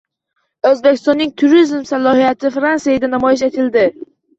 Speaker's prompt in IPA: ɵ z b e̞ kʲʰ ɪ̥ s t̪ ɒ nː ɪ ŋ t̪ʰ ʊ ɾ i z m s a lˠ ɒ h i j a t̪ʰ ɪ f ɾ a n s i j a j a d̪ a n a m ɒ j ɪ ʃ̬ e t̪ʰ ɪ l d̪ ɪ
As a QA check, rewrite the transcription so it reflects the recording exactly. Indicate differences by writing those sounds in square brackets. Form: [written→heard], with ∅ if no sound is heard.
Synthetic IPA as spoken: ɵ z b e̞ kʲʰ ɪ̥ s t̪ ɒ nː ɪ ŋ t̪ʰ ʊ ɾ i z m s a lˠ ɒ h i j a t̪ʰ ɪ f ɾ a n s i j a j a d̪ a n a m ɒ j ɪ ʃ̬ e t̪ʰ ɪ l d̪ ɪ